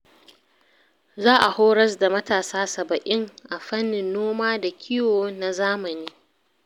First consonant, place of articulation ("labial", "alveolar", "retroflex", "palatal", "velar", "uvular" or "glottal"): alveolar